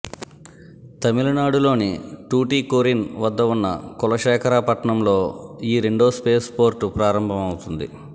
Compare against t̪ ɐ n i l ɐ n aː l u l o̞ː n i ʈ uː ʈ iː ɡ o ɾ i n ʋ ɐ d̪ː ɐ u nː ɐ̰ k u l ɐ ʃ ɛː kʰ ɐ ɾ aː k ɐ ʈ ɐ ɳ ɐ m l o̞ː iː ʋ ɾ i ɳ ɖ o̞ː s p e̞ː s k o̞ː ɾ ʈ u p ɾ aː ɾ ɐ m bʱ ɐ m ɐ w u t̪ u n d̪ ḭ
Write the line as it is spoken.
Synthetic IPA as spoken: t̪ ɐ m i l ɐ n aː ɽ u l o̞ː n i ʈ uː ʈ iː k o ɾ i n ʋ ɐ d̪ː ɐ u nː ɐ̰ k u l ɐ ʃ ɛː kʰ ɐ ɾ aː p ɐ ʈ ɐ ɳ ɐ m l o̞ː iː ɾ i ɳ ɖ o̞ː s p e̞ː s p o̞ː ɾ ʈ u p ɾ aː ɾ ɐ m bʱ ɐ m ɐ w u t̪ u n d̪ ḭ

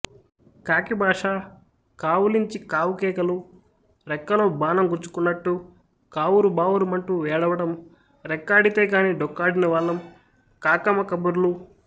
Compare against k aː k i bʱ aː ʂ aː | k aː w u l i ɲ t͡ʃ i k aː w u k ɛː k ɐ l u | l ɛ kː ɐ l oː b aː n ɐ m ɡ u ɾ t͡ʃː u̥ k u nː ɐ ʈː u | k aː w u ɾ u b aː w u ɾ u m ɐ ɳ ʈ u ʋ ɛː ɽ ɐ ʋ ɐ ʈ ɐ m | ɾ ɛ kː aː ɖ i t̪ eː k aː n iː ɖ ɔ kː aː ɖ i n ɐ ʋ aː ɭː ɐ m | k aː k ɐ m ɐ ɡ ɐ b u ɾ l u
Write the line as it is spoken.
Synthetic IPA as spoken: k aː k i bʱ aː ʂ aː | k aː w u l i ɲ t͡ʃ i k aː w u k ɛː k ɐ l u | ɾ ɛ kː ɐ l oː b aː n ɐ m ɡ u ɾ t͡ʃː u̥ k u nː ɐ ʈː u | k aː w u ɾ u b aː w u ɾ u m ɐ ɳ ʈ u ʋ ɛː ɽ ɐ ʋ ɐ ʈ ɐ m | ɾ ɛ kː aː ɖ i t̪ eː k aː n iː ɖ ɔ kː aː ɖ i n ɐ ʋ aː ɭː ɐ m | k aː k ɐ m ɐ k ɐ b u ɾ l u

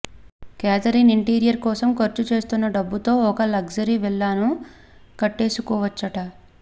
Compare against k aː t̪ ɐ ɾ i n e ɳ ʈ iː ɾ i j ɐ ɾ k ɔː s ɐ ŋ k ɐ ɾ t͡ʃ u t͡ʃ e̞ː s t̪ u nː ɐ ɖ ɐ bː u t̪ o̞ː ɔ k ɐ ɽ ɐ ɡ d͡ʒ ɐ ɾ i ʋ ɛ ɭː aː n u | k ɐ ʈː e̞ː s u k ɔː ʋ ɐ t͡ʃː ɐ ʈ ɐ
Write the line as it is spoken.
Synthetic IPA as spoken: k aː t̪ ɐ ɾ i n i ɳ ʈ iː ɾ i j ɐ ɾ k ɔː s ɐ m k ɐ ɾ t͡ʃ u t͡ʃ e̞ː s t̪ u nː ɐ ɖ ɐ bː u t̪ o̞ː ɔ k ɐ l ɐ ɡ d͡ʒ ɐ ɾ i ʋ ɛ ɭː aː n u | k ɐ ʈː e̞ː s u k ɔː ʋ ɐ t͡ʃː ɐ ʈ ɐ

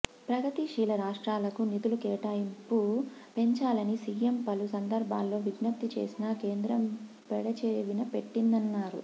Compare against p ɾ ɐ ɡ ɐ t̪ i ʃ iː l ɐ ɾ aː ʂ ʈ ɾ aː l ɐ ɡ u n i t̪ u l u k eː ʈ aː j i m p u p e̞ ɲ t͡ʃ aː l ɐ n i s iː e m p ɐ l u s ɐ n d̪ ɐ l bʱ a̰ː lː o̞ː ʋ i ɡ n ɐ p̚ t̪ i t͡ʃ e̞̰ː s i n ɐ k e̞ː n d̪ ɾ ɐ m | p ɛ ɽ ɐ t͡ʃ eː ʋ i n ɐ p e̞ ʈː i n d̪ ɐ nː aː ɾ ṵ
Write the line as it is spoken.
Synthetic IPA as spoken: p ɾ ɐ ɡ ɐ t̪ i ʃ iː l ɐ ɾ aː ʂ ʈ ɾ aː l ɐ k u n i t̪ u l u k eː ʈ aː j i m p u p e̞ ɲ t͡ʃ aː l ɐ n i s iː e m p ɐ l u s ɐ n d̪ ɐ ɾ bʱ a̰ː lː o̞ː ʋ i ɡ n ɐ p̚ t̪ i t͡ʃ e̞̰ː s i n ɐ k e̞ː n d̪ ɾ ɐ m | p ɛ ɽ ɐ t͡ʃ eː ʋ i n ɐ p e̞ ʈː i n d̪ ɐ nː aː ɾ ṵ

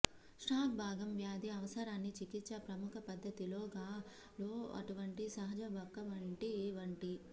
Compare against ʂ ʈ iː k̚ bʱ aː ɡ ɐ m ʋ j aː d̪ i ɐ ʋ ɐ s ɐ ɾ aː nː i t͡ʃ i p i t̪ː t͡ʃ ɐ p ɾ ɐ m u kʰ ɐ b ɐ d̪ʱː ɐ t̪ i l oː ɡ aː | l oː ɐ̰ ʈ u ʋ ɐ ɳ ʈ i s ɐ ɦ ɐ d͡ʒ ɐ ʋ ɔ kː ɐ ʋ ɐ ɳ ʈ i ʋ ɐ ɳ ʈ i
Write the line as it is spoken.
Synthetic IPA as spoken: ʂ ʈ aː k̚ bʱ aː ɡ ɐ m ʋ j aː d̪ i ɐ ʋ ɐ s ɐ ɾ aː nː i t͡ʃ i k i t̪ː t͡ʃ ɐ p ɾ ɐ m u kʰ ɐ p ɐ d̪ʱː ɐ t̪ i l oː ɡ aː | l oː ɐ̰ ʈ u ʋ ɐ ɳ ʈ i s ɐ ɦ ɐ d͡ʒ ɐ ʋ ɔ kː ɐ ʋ ɐ ɳ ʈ i ʋ ɐ ɳ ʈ i

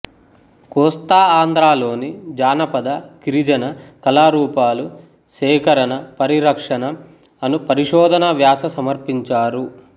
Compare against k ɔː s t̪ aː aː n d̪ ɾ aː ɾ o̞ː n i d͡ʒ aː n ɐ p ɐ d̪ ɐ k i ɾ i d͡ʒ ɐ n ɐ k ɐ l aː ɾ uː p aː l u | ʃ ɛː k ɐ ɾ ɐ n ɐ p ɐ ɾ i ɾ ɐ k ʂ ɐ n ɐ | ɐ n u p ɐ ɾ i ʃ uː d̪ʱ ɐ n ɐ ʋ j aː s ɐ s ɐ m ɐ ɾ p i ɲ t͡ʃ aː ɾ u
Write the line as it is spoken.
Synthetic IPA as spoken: k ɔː s t̪ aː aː n d̪ ɾ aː l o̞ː n i d͡ʒ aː n ɐ p ɐ d̪ ɐ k i ɾ i d͡ʒ ɐ n ɐ k ɐ l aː ɾ uː p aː l u | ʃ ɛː k ɐ ɾ ɐ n ɐ p ɐ ɾ i ɾ ɐ k ʂ ɐ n ɐ | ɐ n u p ɐ ɾ i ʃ ɔː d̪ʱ ɐ n ɐ ʋ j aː s ɐ s ɐ m ɐ ɾ p i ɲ t͡ʃ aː ɾ u

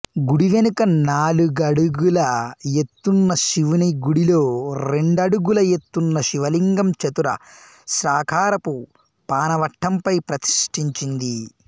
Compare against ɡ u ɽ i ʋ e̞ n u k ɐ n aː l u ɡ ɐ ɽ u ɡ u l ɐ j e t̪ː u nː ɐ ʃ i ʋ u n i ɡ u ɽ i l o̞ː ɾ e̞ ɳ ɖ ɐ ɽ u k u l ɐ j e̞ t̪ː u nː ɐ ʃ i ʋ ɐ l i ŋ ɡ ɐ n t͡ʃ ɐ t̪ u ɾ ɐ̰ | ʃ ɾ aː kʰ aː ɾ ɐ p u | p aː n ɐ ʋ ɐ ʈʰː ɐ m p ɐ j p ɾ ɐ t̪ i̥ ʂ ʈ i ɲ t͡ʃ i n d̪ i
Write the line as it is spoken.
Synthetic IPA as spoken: ɡ u ɽ i ʋ e̞ n u k ɐ n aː l u ɡ ɐ ɽ u ɡ u l ɐ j e t̪ː u nː ɐ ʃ i ʋ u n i ɡ u ɽ i l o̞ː ɾ e̞ ɳ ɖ ɐ ɽ u ɡ u l ɐ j e̞ t̪ː u nː ɐ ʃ i ʋ ɐ l i ŋ ɡ ɐ m t͡ʃ ɐ t̪ u ɾ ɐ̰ | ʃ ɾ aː kʰ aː ɾ ɐ p u | p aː n ɐ ʋ ɐ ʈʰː ɐ m p ɐ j p ɾ ɐ t̪ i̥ ʂ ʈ i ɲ t͡ʃ i n d̪ i

